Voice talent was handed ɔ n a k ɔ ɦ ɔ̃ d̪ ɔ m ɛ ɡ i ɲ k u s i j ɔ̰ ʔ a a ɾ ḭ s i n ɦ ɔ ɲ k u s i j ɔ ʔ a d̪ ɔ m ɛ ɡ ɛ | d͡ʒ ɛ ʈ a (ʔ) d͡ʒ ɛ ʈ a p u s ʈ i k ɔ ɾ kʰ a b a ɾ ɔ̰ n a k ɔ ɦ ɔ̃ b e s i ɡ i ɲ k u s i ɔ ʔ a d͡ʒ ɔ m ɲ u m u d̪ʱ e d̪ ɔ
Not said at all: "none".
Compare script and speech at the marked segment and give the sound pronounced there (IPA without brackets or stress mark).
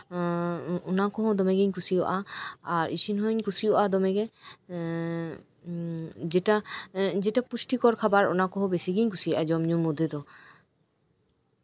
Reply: none